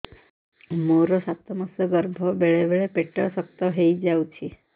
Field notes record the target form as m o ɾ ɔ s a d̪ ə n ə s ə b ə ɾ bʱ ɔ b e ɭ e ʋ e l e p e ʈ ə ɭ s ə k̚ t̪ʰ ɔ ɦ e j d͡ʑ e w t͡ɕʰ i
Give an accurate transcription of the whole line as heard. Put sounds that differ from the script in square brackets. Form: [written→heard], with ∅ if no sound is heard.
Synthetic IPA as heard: m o ɾ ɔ s a [d̪→t̪] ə [n→m] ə s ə [b→ɡ] ə ɾ bʱ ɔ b e ɭ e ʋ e [l→ɭ] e p e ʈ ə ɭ s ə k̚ [t̪ʰ→t̪] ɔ ɦ e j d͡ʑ [e→a] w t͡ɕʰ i

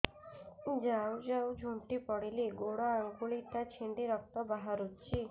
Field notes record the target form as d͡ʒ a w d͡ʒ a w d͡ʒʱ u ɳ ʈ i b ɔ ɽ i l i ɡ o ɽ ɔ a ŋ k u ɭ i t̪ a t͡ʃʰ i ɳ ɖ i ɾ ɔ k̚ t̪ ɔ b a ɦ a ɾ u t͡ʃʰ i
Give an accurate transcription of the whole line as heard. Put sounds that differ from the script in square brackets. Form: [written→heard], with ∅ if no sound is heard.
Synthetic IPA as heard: d͡ʒ a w d͡ʒ a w d͡ʒʱ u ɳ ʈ i [b→p] ɔ ɽ i l i ɡ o ɽ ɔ a ŋ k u ɭ i t̪ a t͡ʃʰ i ɳ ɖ i ɾ ɔ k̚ t̪ ɔ b a ɦ a ɾ u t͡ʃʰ i

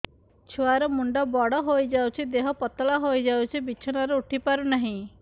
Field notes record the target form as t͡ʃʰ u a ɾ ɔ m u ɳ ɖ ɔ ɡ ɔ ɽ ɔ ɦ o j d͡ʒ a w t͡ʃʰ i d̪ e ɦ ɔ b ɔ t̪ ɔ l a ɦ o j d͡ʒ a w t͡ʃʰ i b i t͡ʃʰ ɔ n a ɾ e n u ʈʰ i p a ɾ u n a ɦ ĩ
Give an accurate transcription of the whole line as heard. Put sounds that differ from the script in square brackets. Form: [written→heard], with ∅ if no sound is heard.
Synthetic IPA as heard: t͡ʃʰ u a ɾ ɔ m u ɳ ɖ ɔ [ɡ→b] ɔ ɽ ɔ ɦ o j d͡ʒ a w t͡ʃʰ i d̪ e ɦ ɔ [b→p] ɔ t̪ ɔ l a ɦ o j d͡ʒ a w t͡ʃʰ i b i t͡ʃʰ ɔ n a ɾ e [n→∅] u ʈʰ i p a ɾ u n a ɦ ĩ

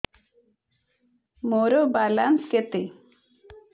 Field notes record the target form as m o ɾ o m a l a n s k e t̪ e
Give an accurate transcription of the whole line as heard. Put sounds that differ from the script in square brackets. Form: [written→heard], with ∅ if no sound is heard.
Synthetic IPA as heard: m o ɾ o [m→b] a l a n s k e t̪ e

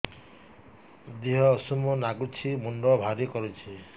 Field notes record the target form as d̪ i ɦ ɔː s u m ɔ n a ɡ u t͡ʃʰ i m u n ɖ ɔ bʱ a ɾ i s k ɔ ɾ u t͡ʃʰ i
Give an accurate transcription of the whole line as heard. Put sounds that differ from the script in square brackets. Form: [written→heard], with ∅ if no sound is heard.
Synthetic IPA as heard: d̪ i ɦ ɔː s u m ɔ n a ɡ u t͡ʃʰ i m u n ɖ ɔ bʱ a ɾ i [s→∅] k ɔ ɾ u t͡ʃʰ i

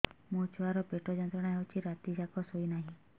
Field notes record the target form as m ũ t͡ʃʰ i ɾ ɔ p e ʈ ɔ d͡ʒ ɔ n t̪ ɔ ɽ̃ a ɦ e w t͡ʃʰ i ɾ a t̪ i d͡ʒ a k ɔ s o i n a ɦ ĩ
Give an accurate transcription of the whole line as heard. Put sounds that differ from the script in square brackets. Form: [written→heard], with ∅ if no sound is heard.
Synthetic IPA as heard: m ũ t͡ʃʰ [i→a] ɾ ɔ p e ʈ ɔ d͡ʒ ɔ n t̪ ɔ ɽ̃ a ɦ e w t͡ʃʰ i ɾ a t̪ i d͡ʒ a k ɔ s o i n a ɦ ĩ

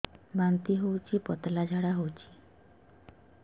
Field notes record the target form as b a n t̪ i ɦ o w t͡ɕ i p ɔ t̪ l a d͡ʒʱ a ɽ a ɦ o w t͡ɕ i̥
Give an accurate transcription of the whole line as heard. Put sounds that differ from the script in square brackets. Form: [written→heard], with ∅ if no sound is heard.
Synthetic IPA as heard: b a n t̪ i ɦ o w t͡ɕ i p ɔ t̪ l a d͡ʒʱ a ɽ a ɦ o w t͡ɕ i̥

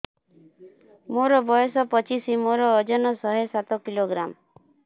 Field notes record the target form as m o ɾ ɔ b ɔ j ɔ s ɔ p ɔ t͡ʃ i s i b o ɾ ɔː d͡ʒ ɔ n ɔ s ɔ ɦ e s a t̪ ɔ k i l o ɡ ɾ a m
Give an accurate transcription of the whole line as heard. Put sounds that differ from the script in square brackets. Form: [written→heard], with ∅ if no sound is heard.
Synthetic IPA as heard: m o ɾ ɔ b ɔ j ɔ s ɔ p ɔ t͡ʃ i s i [b→m] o ɾ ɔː d͡ʒ ɔ n ɔ s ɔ ɦ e s a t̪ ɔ k i l o ɡ ɾ a m

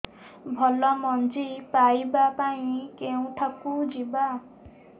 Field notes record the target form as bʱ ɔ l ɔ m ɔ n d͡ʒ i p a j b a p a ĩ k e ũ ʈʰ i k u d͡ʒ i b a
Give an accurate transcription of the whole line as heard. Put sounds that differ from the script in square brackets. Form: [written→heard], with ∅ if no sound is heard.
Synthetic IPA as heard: bʱ ɔ l ɔ m ɔ n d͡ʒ i p a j b a p a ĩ k e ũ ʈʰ [i→a] k u d͡ʒ i b a

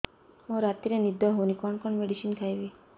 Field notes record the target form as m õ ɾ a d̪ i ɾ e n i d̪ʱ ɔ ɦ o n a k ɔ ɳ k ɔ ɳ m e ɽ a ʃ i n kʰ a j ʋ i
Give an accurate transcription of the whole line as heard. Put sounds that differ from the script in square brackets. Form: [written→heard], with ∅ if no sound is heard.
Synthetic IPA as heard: m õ ɾ a [d̪→t̪] i ɾ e n i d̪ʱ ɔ ɦ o n [a→i] k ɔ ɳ k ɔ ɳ m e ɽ [a→i] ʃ i n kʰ a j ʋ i

